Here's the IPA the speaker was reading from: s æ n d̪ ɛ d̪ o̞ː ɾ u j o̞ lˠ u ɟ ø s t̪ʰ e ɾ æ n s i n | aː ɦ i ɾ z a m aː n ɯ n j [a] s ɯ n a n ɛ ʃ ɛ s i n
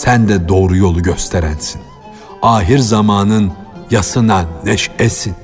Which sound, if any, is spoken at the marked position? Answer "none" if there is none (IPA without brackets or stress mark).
a